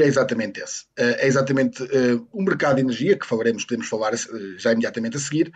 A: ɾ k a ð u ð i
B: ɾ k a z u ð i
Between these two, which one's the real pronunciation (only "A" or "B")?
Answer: A